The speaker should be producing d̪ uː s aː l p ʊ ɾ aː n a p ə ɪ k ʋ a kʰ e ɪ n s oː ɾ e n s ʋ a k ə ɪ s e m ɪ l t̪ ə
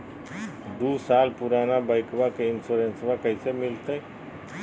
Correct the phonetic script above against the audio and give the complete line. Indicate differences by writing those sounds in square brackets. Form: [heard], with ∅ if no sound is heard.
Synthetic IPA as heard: d̪ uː s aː l p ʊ ɾ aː n a [b] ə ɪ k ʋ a [k] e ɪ n s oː ɾ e n s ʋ a k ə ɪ s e m ɪ l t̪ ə